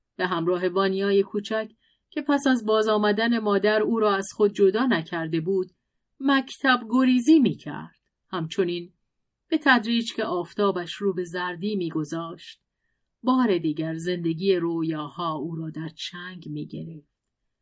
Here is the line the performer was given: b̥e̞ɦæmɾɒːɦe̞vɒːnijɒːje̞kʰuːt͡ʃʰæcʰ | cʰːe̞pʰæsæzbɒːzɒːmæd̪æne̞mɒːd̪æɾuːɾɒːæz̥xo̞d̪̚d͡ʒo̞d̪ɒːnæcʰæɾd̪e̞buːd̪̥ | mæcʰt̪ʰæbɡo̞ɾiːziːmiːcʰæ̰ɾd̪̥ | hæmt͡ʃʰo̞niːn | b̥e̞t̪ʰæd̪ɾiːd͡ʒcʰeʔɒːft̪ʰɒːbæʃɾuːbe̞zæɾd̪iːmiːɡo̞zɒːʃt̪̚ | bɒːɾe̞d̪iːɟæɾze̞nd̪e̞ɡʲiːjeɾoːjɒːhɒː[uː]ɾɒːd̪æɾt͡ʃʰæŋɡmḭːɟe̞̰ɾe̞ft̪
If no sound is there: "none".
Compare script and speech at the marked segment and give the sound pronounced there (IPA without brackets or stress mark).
uː